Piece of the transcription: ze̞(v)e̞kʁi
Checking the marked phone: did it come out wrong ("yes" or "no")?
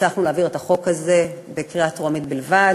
yes